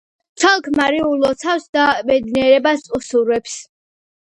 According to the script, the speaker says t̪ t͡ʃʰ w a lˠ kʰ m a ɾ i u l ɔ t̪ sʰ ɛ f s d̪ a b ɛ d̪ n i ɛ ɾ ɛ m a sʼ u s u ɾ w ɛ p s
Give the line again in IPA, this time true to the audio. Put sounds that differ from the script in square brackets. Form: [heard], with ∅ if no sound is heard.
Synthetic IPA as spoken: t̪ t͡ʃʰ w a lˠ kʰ m a ɾ i u l ɔ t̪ sʰ [a] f s d̪ a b ɛ d̪ n i ɛ ɾ ɛ [b] a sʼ u s u ɾ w ɛ p s

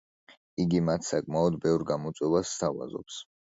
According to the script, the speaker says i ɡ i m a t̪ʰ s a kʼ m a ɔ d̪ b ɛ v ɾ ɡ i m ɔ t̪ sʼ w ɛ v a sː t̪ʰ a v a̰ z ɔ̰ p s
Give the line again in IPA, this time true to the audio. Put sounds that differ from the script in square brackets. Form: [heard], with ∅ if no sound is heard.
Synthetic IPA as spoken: i ɡ i m a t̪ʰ s a kʼ m a ɔ d̪ b ɛ v ɾ ɡ [a] m ɔ t̪ sʼ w ɛ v a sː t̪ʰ a v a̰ z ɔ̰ p s

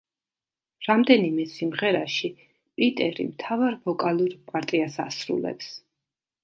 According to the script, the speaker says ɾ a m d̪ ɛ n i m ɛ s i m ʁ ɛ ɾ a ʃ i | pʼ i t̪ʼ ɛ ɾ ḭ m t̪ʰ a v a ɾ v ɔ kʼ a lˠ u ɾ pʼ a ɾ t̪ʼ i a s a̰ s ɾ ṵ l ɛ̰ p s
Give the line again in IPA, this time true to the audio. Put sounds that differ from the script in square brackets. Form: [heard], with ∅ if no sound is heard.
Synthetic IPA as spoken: ɾ a m d̪ ɛ n i m ɛ s i m ʁ ɛ ɾ a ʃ i | pʼ i t̪ʼ ɛ ɾ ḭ m t̪ʰ a v a ɾ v ɔ kʼ a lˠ u ɾ pʼ a ɾ t̪ʼ i a s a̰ s ɾ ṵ l ɛ̰ p s

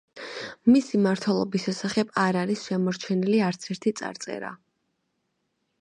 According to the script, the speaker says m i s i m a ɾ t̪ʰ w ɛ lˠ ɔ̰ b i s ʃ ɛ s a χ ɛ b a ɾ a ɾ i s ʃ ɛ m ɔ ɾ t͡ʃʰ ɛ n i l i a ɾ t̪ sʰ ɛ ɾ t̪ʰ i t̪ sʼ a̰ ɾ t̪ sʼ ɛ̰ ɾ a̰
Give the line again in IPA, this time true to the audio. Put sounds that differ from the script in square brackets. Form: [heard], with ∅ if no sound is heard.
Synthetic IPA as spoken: m i s i m a ɾ t̪ʰ w ɛ lˠ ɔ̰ b i s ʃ ɛ s a χ ɛ b a ɾ a ɾ i s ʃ ɛ m ɔ ɾ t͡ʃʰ ɛ n i l i a ɾ t̪ sʰ ɛ ɾ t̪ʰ i t̪ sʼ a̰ ɾ t̪ sʼ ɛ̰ ɾ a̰

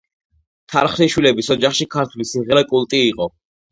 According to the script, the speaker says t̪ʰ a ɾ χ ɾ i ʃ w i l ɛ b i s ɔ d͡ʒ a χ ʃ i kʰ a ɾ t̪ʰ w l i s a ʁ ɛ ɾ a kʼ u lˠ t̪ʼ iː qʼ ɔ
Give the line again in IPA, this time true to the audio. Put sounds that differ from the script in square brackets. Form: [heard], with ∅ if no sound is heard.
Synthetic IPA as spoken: t̪ʰ a ɾ χ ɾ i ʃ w i l ɛ b i s ɔ d͡ʒ a χ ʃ i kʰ a ɾ t̪ʰ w l i s [i] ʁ ɛ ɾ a kʼ u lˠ t̪ʼ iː qʼ ɔ

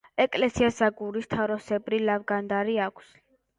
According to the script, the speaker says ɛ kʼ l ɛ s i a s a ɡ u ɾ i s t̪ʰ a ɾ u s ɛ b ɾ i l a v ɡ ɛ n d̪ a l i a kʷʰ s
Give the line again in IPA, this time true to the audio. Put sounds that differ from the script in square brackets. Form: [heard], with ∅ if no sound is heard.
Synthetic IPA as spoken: ɛ kʼ l ɛ s i a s a ɡ u ɾ i s t̪ʰ a ɾ [ɔ] s ɛ b ɾ i l a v ɡ [a] n d̪ a [ɾ] i a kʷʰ s

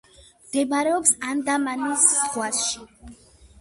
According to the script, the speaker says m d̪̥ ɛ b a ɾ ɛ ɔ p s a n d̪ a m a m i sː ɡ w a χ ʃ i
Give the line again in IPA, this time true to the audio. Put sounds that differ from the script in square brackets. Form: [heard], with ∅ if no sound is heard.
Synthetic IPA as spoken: m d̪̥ ɛ b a ɾ ɛ ɔ p s a n d̪ a m a [n] i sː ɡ w a [s] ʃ i

